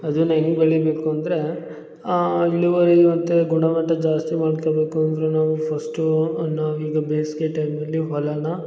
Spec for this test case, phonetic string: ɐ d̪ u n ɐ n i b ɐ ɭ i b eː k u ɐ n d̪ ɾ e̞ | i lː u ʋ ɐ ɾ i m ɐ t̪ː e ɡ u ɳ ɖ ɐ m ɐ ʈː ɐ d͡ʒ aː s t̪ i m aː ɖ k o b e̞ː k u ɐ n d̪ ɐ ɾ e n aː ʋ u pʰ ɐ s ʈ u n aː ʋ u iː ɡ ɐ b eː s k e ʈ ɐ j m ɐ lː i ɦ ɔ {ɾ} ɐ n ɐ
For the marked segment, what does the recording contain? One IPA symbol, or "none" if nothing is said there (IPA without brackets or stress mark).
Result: l